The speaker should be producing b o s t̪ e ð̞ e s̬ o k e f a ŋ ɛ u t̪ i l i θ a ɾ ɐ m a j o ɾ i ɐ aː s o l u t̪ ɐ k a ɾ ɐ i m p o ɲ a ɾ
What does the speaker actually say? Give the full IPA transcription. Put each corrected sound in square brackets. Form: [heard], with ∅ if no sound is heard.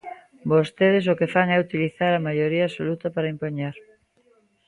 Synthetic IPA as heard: b o s t̪ e ð̞ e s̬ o k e f a ŋ ɛ u t̪ i l i θ a ɾ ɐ m a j o ɾ i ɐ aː s o l u t̪ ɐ [p] a ɾ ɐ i m p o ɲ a ɾ